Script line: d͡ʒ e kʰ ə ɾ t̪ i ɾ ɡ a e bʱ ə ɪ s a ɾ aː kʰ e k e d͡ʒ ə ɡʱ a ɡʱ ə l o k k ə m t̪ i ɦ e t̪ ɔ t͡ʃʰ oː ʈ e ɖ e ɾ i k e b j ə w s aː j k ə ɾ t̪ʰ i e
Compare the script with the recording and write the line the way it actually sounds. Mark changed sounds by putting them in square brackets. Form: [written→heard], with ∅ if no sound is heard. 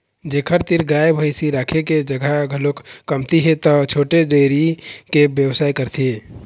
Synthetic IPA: d͡ʒ e kʰ ə ɾ t̪ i ɾ ɡ a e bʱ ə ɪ s [a→i] ɾ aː kʰ e k e d͡ʒ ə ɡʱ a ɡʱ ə l o k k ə m t̪ i ɦ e t̪ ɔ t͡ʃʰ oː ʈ e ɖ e ɾ i k e b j ə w s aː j k ə ɾ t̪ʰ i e